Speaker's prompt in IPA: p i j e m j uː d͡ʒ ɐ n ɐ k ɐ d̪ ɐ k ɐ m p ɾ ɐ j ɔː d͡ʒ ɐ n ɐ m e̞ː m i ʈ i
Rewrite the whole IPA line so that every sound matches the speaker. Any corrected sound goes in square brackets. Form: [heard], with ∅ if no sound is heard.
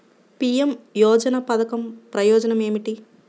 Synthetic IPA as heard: p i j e m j [ɔː] d͡ʒ ɐ n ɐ [p] ɐ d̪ ɐ k ɐ m p ɾ ɐ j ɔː d͡ʒ ɐ n ɐ m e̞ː m i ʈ i